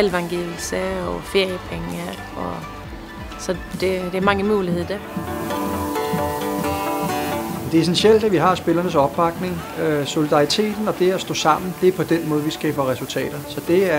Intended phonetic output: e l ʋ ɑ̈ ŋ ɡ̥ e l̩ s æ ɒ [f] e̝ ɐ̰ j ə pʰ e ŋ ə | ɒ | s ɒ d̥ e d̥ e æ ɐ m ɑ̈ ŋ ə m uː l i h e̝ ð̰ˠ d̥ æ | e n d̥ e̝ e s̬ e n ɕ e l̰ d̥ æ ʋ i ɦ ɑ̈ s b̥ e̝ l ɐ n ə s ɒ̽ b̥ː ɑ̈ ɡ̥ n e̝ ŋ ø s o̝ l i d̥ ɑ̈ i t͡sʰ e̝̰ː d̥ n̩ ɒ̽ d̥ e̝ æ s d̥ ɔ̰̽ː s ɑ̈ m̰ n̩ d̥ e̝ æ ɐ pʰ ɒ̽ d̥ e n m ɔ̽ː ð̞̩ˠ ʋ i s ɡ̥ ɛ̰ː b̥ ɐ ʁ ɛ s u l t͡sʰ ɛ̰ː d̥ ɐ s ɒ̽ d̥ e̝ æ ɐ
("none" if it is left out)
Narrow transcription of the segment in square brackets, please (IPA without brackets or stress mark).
f